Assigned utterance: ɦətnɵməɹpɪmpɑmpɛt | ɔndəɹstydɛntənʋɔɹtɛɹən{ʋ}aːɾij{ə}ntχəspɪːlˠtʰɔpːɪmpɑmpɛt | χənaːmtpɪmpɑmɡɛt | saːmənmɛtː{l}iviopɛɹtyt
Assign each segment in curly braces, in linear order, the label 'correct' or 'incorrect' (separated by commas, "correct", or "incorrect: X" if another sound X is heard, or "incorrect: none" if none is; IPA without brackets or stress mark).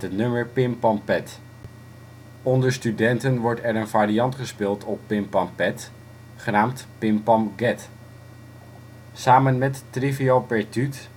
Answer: incorrect: v, incorrect: ɑ, incorrect: r